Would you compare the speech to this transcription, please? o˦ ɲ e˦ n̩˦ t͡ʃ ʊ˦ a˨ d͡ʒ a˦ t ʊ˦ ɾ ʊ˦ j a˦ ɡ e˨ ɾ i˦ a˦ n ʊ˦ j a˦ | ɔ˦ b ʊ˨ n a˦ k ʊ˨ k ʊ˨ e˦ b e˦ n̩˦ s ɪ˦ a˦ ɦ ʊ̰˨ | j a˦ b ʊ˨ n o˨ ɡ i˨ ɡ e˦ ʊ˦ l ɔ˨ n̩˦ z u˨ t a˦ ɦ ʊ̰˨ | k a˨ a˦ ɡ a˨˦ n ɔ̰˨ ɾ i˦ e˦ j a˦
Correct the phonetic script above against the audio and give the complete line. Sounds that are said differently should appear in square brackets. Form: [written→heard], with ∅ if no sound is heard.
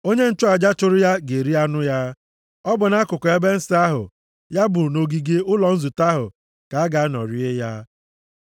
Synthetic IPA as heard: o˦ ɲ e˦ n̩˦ t͡ʃ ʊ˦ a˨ d͡ʒ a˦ [t→t͡ʃ] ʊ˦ ɾ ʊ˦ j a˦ ɡ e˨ ɾ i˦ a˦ n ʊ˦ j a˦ | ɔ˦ b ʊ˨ n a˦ k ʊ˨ k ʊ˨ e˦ b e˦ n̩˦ s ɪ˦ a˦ ɦ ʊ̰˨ | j a˦ b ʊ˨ n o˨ ɡ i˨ ɡ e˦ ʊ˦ l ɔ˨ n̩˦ z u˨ t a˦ ɦ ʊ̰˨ | k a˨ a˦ ɡ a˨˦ n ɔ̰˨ ɾ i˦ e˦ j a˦